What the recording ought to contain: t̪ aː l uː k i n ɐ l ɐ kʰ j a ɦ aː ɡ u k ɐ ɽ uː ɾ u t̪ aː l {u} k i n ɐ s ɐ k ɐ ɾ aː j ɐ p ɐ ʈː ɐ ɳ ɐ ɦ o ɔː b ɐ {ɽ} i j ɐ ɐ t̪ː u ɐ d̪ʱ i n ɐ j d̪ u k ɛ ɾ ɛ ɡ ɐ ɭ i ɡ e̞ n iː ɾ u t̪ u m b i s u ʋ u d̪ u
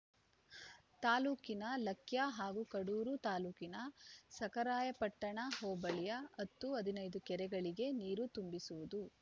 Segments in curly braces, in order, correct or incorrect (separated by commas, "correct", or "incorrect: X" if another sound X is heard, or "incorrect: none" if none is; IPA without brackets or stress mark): incorrect: uː, incorrect: ɭ